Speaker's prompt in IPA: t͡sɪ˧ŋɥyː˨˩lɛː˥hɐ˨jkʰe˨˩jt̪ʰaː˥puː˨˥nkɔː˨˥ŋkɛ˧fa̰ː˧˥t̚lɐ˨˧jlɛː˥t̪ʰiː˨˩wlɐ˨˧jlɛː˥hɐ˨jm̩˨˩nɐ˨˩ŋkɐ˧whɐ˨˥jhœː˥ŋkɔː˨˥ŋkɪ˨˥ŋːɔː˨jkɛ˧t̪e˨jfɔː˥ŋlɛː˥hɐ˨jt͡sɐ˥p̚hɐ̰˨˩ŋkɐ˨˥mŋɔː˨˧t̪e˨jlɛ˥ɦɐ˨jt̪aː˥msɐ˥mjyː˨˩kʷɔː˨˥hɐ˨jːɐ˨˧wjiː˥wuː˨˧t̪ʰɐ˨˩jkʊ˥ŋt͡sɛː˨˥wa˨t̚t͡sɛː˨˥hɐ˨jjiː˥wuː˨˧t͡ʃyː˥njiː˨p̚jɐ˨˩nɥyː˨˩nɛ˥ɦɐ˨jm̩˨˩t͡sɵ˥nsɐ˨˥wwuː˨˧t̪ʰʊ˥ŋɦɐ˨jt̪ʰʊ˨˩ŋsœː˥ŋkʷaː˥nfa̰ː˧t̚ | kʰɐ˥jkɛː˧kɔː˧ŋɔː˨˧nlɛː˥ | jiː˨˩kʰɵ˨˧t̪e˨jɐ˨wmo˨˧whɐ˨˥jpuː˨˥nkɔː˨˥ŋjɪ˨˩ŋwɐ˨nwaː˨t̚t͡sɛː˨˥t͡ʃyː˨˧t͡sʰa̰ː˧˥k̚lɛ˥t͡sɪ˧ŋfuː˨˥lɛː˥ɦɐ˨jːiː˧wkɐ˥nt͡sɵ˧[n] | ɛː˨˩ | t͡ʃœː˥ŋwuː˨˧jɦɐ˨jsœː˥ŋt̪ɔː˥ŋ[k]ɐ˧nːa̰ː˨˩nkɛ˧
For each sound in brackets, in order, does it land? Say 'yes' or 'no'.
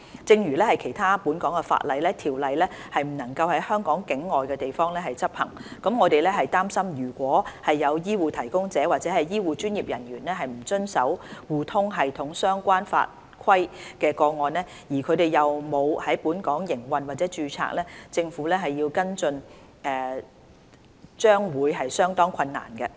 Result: yes, no

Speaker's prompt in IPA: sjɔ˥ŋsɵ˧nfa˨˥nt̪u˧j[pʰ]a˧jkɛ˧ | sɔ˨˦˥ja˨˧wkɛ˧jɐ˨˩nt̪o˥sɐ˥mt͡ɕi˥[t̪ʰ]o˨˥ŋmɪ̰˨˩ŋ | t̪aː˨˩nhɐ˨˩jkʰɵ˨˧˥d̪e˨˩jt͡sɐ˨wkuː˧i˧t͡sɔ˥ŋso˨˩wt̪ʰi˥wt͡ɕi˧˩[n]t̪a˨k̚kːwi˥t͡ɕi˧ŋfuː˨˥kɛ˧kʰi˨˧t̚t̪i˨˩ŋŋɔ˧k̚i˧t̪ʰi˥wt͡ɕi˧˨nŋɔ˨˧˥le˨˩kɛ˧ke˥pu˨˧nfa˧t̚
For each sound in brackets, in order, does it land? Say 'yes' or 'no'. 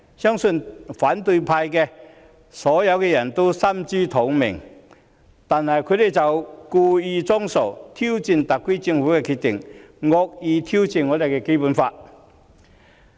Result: yes, yes, yes

